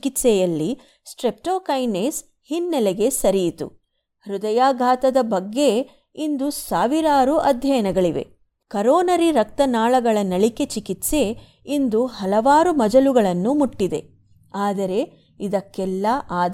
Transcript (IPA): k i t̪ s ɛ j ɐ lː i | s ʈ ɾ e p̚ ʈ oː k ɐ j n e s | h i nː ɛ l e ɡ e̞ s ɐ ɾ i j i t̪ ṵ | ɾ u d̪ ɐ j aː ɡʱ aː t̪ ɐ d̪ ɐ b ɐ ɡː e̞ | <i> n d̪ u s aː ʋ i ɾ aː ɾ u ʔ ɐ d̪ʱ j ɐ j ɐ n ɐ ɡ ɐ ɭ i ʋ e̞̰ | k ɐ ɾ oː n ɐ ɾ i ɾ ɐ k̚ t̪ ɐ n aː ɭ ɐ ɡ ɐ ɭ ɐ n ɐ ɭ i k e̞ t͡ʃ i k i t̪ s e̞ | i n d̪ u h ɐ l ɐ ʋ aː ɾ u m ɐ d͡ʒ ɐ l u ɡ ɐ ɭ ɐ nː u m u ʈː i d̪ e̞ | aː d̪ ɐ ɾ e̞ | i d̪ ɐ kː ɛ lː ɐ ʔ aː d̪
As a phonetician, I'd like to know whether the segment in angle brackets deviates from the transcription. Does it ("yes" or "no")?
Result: no